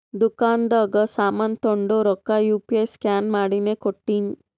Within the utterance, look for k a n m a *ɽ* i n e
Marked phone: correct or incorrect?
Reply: correct